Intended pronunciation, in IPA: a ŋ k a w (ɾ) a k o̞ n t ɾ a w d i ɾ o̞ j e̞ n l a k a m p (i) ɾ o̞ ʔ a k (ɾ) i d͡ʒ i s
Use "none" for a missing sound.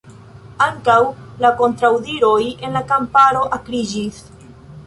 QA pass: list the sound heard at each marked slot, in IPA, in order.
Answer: l, a, ɾ

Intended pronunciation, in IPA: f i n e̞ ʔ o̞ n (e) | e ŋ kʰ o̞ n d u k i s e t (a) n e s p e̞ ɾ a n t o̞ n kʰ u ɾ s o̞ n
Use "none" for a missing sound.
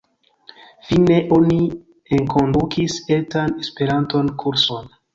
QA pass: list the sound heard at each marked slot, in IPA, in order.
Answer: i, a

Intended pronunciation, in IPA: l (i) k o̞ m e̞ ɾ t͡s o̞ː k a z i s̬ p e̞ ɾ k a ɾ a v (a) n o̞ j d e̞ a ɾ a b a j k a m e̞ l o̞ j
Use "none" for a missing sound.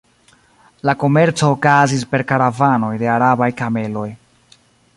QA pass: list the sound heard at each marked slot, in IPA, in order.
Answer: a, a

